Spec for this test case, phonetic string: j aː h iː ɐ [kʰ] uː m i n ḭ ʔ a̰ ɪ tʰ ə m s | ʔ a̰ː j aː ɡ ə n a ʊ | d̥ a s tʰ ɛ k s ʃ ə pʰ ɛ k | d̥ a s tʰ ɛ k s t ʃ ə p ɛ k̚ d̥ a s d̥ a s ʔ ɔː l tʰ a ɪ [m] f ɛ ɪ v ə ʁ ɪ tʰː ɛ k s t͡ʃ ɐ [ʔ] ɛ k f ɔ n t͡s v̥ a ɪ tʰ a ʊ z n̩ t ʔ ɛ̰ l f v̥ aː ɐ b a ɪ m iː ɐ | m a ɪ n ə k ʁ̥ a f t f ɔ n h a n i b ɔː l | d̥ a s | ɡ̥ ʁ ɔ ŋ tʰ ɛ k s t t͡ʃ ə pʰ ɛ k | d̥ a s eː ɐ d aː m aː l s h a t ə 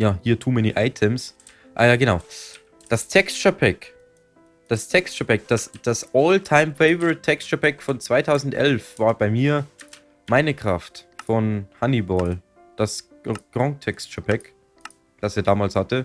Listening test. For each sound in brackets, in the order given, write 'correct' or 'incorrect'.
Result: incorrect, correct, incorrect

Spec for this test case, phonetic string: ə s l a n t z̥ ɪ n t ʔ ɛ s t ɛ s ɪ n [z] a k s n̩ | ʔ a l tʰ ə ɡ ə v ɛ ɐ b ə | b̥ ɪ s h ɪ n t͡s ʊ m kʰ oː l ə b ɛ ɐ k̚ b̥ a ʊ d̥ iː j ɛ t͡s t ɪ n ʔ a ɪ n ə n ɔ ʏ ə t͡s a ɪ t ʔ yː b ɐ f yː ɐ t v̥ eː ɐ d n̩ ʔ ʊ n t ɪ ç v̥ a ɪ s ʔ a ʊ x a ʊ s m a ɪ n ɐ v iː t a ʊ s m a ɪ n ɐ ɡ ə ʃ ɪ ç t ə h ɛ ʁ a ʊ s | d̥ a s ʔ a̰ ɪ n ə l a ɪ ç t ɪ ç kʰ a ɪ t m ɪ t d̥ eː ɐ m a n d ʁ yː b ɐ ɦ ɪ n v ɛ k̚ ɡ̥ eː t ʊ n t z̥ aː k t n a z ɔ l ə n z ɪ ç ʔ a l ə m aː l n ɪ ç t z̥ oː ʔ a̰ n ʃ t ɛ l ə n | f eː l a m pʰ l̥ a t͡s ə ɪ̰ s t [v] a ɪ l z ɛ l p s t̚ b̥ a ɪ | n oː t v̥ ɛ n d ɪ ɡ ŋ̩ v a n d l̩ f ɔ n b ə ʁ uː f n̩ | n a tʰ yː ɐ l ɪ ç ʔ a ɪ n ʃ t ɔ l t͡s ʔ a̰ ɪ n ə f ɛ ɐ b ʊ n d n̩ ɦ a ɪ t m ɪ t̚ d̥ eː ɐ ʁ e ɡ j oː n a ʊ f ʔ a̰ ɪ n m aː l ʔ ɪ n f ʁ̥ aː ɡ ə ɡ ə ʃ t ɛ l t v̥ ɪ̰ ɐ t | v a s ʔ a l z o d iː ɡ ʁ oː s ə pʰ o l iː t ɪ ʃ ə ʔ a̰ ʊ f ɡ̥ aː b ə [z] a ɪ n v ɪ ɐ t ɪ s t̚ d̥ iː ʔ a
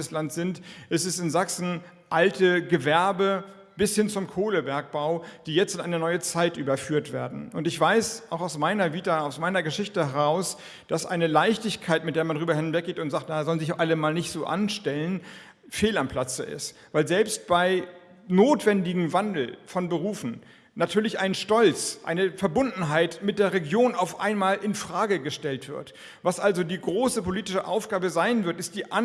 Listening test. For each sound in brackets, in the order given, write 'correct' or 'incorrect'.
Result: correct, correct, correct

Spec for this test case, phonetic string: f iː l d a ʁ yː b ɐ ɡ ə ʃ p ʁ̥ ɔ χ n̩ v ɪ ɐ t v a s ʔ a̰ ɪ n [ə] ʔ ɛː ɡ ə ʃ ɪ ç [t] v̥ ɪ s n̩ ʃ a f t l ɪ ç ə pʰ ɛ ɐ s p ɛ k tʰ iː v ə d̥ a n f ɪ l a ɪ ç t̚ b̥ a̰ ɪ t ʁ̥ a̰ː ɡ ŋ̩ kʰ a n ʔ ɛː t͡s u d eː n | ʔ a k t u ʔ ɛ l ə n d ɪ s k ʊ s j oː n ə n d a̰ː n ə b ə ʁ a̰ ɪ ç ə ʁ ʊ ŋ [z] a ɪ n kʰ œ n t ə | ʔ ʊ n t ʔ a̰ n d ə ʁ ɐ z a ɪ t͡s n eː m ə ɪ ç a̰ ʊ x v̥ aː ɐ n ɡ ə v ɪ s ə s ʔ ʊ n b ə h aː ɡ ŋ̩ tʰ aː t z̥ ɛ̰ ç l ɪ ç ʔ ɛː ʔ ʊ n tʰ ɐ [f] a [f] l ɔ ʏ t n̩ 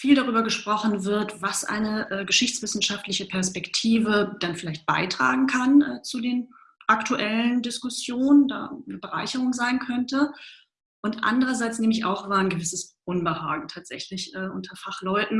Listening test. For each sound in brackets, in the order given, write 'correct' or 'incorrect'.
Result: correct, incorrect, correct, correct, incorrect

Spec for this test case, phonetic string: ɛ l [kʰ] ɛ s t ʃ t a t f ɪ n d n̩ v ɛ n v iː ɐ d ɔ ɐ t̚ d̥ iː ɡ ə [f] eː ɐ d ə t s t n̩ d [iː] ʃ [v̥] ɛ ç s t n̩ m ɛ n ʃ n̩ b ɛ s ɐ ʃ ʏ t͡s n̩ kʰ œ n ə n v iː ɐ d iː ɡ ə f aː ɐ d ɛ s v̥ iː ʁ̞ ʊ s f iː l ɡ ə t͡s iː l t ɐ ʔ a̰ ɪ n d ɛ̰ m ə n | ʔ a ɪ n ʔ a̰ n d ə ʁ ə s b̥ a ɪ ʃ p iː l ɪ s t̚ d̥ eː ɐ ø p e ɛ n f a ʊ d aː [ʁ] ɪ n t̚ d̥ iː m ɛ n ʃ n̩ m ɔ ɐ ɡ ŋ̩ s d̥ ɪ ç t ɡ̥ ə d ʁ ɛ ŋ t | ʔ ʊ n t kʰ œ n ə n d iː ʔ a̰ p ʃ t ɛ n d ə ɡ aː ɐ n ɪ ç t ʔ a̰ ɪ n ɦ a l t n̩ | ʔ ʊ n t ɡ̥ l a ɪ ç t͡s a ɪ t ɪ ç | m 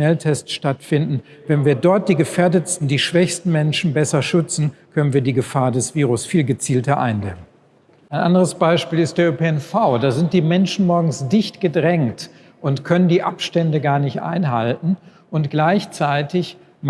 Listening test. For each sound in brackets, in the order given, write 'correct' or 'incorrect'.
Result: incorrect, correct, correct, correct, incorrect

